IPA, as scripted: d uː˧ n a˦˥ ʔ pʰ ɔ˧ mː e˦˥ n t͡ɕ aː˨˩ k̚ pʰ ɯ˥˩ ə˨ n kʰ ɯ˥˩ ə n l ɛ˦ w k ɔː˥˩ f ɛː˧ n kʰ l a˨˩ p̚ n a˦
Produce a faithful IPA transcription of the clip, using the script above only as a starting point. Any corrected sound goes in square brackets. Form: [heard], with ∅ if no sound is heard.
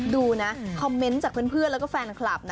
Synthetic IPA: d uː˧ n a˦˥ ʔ [kʰ] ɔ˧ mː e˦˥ n t͡ɕ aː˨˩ k̚ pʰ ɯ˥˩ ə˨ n [pʰ] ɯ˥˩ ə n l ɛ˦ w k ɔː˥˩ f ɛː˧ n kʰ l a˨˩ p̚ n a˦